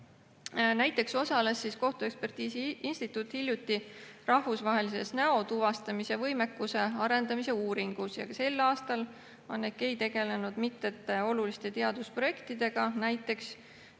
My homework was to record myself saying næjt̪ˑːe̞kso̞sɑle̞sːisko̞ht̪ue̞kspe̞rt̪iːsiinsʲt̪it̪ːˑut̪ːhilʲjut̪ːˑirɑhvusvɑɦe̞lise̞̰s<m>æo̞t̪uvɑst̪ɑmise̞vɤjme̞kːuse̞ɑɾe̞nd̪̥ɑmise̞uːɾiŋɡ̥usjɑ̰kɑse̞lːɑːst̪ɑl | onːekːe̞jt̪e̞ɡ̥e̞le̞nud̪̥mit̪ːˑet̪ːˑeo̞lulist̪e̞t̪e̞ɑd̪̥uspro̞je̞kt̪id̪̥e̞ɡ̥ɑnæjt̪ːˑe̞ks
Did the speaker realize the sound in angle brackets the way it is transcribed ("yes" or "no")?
no